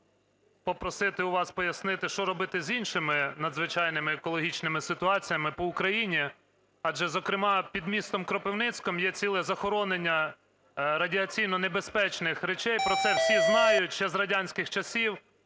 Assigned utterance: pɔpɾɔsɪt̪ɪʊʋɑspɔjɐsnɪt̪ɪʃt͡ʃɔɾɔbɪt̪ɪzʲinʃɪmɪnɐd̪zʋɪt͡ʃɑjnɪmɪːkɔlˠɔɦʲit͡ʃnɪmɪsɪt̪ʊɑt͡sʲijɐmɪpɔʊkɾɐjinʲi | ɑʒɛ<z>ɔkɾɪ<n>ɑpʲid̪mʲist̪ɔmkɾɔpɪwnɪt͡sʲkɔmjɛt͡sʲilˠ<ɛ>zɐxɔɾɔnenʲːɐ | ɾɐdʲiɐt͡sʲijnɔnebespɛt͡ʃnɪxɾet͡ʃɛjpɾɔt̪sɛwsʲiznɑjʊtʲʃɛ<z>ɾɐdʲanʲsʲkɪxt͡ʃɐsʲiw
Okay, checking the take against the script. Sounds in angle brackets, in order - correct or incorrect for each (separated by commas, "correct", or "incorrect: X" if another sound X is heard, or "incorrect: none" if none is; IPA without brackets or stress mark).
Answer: correct, incorrect: m, correct, correct